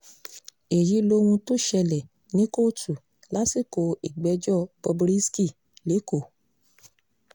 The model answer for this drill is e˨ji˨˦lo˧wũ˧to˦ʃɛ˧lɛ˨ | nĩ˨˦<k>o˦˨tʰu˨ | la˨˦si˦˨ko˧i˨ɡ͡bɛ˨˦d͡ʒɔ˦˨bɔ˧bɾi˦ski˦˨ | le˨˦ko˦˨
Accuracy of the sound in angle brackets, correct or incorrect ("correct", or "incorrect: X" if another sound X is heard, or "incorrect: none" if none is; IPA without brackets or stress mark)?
correct